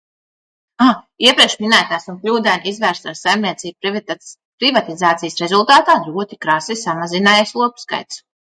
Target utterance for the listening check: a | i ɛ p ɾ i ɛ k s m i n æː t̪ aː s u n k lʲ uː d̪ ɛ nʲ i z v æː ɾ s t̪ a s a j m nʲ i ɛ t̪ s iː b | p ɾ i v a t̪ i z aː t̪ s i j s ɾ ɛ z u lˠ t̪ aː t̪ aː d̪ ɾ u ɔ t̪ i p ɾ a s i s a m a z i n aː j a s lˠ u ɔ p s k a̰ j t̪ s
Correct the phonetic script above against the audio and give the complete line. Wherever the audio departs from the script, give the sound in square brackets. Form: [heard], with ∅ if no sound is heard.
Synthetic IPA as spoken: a | i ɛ p ɾ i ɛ k [ʃ] m i n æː t̪ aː s u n k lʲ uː d̪ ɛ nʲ i z v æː ɾ s t̪ a s a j m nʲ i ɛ t̪ s iː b | p ɾ i v a t̪ i z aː t̪ s i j s ɾ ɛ z u lˠ t̪ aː t̪ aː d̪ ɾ u ɔ t̪ i [k] ɾ a s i s a m a z i n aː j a s lˠ u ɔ p s k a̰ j t̪ s